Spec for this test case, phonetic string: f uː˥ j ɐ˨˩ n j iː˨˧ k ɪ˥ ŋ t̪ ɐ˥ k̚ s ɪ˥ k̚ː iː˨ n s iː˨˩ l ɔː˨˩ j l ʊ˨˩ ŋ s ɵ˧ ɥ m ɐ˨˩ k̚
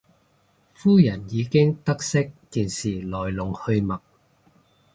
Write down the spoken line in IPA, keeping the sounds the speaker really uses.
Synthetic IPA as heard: f uː˥ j ɐ˨˩ n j iː˨˧ k ɪ˥ ŋ t̪ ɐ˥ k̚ s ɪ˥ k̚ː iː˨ n s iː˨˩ l ɔː˨˩ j l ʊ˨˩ ŋ h ɵ˧ ɥ m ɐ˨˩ k̚